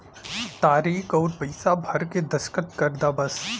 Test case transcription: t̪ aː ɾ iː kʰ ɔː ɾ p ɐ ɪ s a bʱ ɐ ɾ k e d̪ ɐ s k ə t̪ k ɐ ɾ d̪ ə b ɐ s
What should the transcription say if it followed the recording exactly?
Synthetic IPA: t̪ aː ɾ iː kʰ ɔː ɾ p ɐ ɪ s a bʱ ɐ ɾ k e d̪ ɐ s k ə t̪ k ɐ ɾ d̪ a b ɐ s